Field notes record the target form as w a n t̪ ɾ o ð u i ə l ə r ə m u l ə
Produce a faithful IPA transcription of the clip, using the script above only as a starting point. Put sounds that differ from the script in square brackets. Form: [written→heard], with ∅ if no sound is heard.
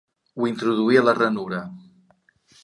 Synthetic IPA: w [a→i] n t̪ ɾ [o→u] ð u i ə l ə r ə [m→n] u [l→ɾ] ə